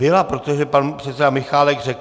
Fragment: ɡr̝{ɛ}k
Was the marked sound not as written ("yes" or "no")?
no